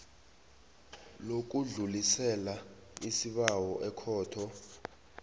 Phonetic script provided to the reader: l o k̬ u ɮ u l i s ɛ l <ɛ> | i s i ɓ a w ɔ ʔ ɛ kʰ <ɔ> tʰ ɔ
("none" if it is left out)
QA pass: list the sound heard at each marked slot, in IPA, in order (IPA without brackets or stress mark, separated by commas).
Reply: a, ɔː